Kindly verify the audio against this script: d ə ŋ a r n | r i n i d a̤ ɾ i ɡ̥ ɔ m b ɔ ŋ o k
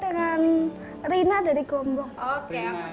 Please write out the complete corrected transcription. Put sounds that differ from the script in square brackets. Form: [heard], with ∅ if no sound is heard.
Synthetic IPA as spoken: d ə ŋ a [∅] n | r i n [a] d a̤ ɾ i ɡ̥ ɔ m b ɔ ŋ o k